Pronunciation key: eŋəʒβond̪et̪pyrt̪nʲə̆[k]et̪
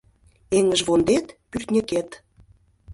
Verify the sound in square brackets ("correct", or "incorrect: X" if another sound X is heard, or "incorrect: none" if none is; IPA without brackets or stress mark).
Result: correct